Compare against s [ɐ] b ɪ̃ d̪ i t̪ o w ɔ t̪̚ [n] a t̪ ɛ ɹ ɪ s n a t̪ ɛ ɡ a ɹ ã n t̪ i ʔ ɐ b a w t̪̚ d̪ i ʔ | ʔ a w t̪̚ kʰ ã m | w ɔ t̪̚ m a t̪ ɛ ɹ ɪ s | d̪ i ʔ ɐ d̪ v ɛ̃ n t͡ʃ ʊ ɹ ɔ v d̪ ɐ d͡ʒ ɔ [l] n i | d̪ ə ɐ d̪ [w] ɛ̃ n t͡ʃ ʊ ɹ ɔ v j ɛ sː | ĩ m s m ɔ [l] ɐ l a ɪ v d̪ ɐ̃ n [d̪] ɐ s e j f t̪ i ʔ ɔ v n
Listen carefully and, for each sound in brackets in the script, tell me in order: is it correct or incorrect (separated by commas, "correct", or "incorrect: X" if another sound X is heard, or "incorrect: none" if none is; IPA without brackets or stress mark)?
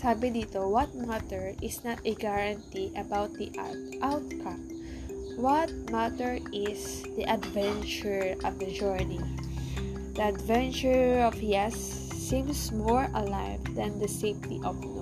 incorrect: a, incorrect: m, incorrect: ɹ, incorrect: v, incorrect: ɹ, correct